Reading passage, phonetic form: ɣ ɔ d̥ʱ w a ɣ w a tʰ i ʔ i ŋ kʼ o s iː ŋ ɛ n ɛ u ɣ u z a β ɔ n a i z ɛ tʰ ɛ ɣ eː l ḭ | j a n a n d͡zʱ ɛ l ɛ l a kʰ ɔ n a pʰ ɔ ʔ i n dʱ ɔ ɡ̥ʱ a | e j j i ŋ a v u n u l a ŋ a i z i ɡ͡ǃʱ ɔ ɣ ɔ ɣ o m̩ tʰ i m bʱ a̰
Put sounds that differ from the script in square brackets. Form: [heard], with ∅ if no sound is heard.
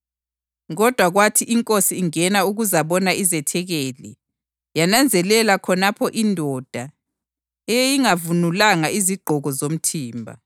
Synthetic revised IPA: ɣ ɔ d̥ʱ w a ɣ w a tʰ i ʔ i ŋ kʼ o s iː ŋ ɛ n [a] u ɣ u z a β ɔ n a i z ɛ tʰ ɛ ɣ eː l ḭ | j a n a n d͡zʱ ɛ l ɛ l a kʰ ɔ n a pʰ ɔ ʔ i n dʱ ɔ [d̥ʱ] a | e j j i ŋ a v u n u l a ŋ a i z i ɡ͡ǃʱ ɔ ɣ ɔ [z] o m̩ tʰ [iː] m bʱ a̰